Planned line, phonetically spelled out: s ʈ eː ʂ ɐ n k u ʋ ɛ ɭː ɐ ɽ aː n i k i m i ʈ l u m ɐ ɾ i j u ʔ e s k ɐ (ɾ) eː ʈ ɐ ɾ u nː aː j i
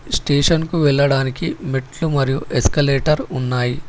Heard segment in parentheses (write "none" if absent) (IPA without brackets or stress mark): l